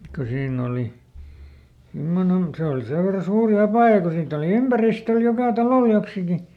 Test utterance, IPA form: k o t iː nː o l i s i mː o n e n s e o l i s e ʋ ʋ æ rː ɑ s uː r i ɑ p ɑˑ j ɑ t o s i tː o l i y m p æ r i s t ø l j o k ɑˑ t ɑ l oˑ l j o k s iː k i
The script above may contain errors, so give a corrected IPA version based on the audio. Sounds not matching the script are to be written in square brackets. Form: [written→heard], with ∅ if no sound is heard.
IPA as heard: k o [t→s] iː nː o l i s i mː o n e n s e o l i s e ʋ ʋ [æ→e] rː ɑ s uː r i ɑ p ɑˑ j ɑ [t→k] o s [i→iː] tː o l i y m p æ r i s t ø l j o k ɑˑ t ɑ l oˑ l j o k s [iː→i] k i